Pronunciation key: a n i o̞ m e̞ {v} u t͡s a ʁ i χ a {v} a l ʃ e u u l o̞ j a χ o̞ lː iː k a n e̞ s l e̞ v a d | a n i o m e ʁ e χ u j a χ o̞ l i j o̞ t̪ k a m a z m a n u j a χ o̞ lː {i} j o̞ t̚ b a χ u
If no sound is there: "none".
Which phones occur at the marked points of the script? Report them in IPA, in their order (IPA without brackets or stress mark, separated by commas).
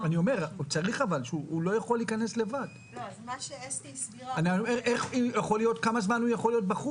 ʁ, v, i